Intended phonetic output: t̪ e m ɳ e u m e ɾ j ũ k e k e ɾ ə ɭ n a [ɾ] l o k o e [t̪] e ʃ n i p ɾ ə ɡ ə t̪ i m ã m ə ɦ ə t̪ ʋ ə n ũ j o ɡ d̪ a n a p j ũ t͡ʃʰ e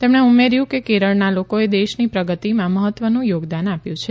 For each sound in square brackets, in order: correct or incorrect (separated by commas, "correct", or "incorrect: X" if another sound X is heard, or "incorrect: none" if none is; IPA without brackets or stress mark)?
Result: incorrect: none, incorrect: d̪